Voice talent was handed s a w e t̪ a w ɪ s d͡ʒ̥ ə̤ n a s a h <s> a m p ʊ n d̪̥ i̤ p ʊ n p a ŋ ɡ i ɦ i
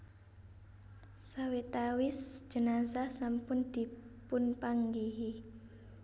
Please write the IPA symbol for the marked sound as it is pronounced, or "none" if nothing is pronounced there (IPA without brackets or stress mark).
s